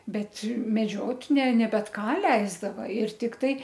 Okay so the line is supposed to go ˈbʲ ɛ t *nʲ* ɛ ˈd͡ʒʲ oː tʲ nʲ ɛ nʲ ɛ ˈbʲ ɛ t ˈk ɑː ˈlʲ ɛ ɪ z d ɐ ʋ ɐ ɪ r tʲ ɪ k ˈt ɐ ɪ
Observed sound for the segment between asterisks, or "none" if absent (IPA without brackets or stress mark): mʲ